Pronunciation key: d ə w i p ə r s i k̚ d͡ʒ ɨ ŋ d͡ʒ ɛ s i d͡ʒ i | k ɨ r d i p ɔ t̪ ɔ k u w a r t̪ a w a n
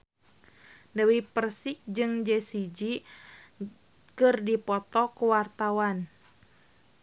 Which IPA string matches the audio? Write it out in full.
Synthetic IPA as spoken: d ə w i p ə r s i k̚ d͡ʒ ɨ ŋ d͡ʒ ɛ s i d͡ʒ i | k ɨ r d i p ɔ t̪ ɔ k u w a r t̪ a w a n